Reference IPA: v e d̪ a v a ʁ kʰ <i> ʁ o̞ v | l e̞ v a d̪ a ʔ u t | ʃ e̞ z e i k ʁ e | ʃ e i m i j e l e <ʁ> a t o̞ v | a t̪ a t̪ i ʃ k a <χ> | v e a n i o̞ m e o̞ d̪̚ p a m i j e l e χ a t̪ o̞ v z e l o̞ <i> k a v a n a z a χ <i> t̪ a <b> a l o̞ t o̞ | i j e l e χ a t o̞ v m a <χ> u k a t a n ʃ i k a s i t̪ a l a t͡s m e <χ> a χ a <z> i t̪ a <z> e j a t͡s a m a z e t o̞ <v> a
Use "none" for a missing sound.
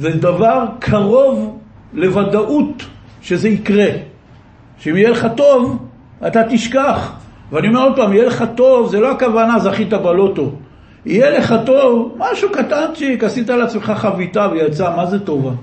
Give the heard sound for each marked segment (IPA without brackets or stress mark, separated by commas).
a, χ, χ, a, i, b, ʃ, χ, v, v, v